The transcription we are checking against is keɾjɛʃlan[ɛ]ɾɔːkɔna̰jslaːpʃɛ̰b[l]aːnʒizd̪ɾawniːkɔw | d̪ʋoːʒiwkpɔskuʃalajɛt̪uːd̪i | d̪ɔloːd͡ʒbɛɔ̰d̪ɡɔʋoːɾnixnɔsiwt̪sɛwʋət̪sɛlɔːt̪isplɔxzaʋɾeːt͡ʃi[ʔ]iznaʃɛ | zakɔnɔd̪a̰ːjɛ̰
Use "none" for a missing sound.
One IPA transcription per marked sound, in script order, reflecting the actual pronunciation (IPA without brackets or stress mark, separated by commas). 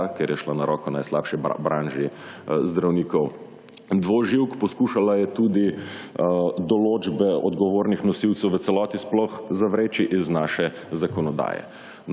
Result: a, ɾ, ʔ